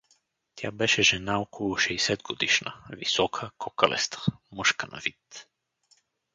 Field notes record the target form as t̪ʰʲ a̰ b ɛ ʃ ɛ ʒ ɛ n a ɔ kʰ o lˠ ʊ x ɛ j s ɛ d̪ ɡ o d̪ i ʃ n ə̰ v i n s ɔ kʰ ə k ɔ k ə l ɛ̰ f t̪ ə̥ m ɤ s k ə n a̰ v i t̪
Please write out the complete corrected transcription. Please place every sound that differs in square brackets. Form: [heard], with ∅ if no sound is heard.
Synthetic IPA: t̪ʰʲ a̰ b ɛ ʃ ɛ ʒ ɛ n a ɔ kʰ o lˠ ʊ [ʃ] ɛ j s ɛ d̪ ɡ o d̪ i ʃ n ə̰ v i [∅] s ɔ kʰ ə k ɔ k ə l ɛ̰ [s] t̪ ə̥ m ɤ [ʃ] k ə n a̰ v i t̪